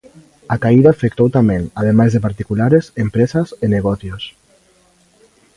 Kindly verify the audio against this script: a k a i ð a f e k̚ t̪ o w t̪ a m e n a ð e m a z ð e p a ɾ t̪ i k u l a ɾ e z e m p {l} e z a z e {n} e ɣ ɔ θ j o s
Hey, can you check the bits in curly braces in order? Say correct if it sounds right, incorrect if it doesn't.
incorrect, correct

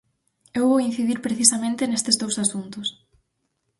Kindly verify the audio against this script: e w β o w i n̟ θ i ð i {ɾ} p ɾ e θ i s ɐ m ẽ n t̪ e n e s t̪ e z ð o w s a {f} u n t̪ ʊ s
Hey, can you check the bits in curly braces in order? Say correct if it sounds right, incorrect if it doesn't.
correct, incorrect

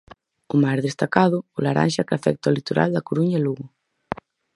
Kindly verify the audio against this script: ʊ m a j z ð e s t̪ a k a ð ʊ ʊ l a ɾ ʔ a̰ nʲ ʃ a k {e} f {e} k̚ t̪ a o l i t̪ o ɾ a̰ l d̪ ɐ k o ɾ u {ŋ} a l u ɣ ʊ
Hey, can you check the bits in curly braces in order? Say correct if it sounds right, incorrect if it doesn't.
incorrect, incorrect, incorrect

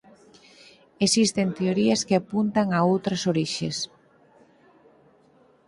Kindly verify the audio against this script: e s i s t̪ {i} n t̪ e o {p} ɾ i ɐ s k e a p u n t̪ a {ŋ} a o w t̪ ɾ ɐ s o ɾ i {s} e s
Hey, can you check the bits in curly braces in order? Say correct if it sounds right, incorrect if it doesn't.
incorrect, incorrect, correct, incorrect

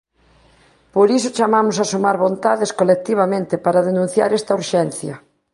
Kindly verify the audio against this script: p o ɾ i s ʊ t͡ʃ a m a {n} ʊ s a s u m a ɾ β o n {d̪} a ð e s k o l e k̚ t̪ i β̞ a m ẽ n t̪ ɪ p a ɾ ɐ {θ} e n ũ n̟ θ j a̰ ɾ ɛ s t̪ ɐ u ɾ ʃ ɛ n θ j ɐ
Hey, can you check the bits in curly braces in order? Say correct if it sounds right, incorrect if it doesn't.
incorrect, incorrect, incorrect

